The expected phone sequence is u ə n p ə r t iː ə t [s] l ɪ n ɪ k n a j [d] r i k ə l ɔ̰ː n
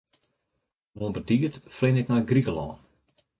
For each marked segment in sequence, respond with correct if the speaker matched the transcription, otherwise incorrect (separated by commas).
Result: incorrect, incorrect